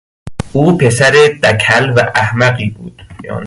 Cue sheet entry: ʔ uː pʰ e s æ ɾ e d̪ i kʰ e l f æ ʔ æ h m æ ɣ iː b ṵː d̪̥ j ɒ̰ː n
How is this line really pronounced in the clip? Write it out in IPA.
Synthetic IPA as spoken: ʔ uː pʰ e s æ ɾ e d̪ æ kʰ æ l v æ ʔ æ h m æ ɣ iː b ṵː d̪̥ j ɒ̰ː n